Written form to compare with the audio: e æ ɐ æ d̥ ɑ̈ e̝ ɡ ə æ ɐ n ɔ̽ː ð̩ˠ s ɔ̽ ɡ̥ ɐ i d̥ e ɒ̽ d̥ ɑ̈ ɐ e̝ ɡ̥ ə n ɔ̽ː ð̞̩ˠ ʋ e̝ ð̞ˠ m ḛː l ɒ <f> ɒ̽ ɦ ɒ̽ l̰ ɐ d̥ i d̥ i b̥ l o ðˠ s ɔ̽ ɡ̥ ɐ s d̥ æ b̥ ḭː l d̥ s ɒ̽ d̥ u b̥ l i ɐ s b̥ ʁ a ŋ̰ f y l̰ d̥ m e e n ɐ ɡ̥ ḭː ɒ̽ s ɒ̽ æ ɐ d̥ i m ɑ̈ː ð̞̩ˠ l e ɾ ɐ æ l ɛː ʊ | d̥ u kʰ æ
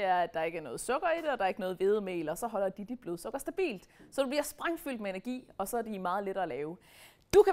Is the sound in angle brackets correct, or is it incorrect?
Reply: incorrect